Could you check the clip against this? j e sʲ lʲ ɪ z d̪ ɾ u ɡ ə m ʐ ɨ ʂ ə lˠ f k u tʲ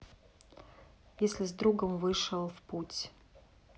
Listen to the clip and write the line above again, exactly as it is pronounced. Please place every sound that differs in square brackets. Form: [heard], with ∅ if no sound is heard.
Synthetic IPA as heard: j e sʲ lʲ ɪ z d̪ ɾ u ɡ ə m [v] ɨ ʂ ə lˠ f [p] u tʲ